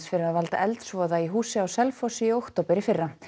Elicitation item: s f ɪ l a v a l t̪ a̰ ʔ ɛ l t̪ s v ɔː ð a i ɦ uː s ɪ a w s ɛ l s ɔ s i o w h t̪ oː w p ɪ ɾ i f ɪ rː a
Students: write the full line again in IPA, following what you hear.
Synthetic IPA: s f ɪ ɾ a v a l t̪ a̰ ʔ ɛ l t̪ s v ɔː ð a i ɦ uː s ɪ a w s ɛ l f ɔ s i o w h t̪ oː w p ɪ ɾ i f ɪ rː a